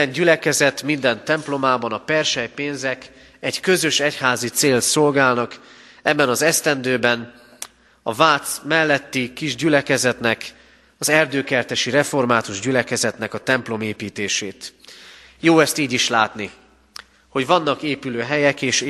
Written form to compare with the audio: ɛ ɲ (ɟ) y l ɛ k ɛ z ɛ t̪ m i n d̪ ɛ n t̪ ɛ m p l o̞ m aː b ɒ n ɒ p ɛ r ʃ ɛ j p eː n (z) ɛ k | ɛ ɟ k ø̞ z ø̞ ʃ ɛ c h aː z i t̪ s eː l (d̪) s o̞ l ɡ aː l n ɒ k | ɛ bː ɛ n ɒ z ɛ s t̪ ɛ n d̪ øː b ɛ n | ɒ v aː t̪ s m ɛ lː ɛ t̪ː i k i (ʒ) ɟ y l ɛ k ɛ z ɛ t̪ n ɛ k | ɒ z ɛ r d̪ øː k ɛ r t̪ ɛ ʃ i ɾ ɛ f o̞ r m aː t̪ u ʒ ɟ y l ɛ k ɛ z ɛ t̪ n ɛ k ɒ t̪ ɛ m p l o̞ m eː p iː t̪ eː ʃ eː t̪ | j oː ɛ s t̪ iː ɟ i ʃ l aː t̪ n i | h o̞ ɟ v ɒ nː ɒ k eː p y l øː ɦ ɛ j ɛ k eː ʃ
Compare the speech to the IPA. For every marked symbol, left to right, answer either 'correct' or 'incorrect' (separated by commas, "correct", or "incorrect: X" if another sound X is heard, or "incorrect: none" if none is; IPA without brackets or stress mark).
correct, correct, incorrect: t̪, correct